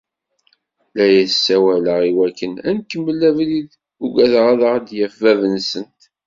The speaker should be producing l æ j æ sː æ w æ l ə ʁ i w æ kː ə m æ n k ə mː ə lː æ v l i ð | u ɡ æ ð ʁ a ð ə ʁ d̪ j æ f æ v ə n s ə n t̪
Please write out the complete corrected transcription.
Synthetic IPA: l æ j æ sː æ w æ l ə ʁ i w æ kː ə n æ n k ə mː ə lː æ v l i ð | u ɡ æ ð ʁ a ð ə ʁ d̪ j æ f æ v ə n s ə n t̪